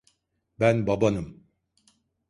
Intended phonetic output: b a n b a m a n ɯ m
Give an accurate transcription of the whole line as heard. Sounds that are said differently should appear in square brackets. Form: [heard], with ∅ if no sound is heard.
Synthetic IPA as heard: b [æ] n b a [b] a n ɯ m